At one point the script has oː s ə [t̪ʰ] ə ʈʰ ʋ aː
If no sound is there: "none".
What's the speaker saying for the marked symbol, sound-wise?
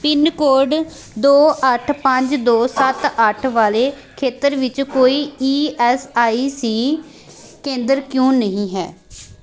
t̪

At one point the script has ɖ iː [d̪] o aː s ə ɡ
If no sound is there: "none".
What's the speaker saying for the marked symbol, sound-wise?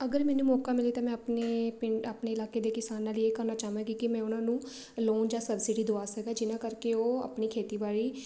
d̪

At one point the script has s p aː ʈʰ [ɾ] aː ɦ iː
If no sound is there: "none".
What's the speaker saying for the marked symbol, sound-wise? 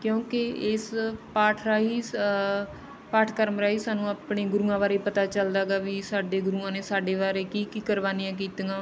ɾ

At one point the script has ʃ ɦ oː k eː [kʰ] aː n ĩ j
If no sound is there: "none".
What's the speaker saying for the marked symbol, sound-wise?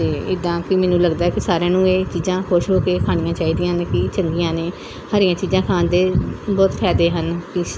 kʰ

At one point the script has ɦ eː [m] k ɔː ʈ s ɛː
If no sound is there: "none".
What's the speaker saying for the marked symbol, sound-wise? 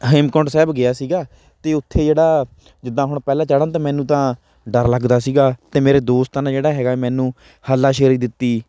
m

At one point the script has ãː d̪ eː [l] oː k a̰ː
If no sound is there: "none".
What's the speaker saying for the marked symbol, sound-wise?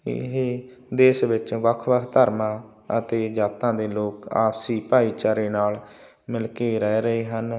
l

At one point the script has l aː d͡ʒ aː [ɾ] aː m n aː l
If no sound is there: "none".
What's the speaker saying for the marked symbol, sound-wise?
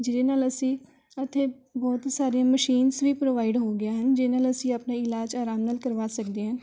ɾ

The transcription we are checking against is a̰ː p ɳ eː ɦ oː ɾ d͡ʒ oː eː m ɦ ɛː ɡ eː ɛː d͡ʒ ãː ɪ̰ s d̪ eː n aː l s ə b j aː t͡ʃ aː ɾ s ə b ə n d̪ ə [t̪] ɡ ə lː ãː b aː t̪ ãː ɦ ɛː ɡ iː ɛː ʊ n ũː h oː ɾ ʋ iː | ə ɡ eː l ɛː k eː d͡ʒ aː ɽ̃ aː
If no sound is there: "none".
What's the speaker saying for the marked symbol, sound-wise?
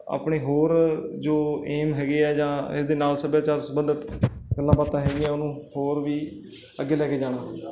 t̪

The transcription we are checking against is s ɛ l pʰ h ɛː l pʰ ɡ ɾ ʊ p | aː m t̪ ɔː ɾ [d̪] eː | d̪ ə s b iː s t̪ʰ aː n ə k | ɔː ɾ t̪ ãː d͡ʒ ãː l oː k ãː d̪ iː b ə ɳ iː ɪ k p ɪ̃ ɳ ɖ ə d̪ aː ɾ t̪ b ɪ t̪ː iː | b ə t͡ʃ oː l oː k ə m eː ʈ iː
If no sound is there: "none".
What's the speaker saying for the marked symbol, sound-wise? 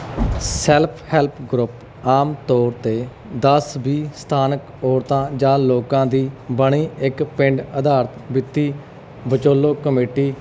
t̪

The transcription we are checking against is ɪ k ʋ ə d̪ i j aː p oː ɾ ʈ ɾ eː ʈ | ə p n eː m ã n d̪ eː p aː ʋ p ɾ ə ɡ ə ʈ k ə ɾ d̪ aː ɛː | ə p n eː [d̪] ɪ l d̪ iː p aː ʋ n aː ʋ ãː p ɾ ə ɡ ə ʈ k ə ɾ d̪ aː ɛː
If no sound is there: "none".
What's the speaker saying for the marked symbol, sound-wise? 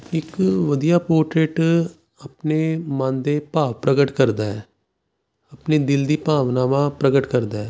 d̪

